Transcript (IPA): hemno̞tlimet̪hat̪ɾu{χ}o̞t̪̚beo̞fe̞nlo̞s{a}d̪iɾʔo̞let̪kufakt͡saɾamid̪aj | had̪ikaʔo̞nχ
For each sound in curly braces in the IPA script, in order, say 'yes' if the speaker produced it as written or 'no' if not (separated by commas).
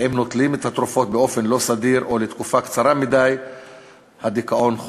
no, yes